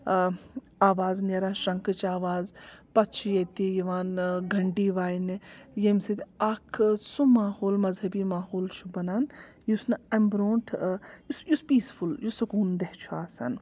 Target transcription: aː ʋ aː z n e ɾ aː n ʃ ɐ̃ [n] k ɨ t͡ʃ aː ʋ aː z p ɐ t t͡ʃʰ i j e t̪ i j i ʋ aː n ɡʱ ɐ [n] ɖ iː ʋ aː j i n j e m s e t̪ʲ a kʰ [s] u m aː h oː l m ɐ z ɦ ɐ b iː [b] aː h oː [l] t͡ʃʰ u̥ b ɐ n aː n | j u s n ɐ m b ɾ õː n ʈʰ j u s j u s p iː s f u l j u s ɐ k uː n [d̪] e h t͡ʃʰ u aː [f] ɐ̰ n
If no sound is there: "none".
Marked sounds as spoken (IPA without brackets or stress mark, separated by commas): ŋ, ɳ, s, m, l, d̪, s